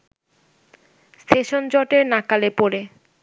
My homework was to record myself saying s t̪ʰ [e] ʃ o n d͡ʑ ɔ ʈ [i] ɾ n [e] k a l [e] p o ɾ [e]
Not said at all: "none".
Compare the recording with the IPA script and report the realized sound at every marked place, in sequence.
e, e, a, e, e

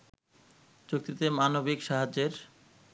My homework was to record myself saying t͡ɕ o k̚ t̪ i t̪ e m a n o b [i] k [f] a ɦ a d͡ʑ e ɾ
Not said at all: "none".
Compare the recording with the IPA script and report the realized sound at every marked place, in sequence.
i, ʃ

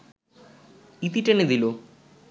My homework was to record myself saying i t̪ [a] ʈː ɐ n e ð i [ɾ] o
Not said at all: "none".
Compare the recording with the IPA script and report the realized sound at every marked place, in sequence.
i, l

